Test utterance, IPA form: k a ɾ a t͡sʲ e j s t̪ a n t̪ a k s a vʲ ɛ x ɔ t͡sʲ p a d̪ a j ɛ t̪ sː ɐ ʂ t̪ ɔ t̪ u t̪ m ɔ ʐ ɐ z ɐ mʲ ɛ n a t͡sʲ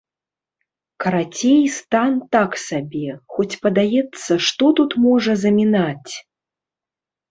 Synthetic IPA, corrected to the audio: k ɐ ɾ a t͡sʲ e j s t̪ a n t̪ a k s a bʲ ɛ x ɔ t͡sʲ p ɐ d̪ a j ɛ t̪ sː ɐ ʂ t̪ ɔ t̪ u t̪ m ɔ ʐ ɐ z ɐ mʲ i n a t͡sʲ